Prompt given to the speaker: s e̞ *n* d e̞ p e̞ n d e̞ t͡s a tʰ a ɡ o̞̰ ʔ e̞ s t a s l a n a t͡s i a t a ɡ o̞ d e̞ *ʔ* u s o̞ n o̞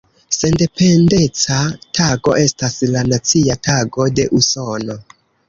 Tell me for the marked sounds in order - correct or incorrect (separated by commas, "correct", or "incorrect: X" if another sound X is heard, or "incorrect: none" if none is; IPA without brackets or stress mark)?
correct, correct